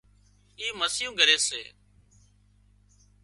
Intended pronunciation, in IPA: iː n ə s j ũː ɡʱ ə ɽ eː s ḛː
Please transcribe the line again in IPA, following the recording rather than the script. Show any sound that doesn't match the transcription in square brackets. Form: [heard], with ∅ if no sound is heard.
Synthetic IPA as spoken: iː [m] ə s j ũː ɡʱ ə [ɾ] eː s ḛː